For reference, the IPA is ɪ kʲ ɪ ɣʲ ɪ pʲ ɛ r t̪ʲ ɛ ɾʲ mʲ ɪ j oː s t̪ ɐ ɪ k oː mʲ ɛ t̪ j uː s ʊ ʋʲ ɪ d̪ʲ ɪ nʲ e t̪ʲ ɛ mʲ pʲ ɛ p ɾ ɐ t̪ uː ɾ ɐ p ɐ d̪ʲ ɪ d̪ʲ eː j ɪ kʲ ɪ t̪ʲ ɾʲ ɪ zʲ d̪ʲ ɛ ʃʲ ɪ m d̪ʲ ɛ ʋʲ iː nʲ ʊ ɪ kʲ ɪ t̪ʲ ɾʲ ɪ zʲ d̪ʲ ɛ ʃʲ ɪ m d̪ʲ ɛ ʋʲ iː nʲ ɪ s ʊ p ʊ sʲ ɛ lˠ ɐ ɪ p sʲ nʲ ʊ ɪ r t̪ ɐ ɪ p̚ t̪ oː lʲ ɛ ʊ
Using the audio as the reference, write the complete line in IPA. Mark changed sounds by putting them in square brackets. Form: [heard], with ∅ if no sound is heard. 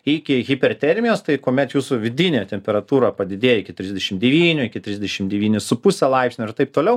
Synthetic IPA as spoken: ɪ kʲ ɪ ɣʲ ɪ pʲ ɛ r t̪ʲ ɛ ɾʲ mʲ ɪ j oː s t̪ ɐ ɪ k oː mʲ ɛ t̪ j uː s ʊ ʋʲ ɪ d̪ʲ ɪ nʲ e t̪ʲ ɛ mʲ pʲ ɛ [∅] ɾ ɐ t̪ uː ɾ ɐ p ɐ d̪ʲ ɪ d̪ʲ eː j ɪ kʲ ɪ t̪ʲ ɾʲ ɪ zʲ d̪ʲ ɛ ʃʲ ɪ m d̪ʲ ɛ ʋʲ iː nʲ ʊ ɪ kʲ ɪ t̪ʲ ɾʲ ɪ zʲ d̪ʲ ɛ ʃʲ ɪ m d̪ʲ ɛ ʋʲ iː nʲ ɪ s ʊ p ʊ sʲ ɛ lˠ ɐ ɪ p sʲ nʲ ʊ ɪ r t̪ ɐ ɪ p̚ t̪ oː lʲ ɛ ʊ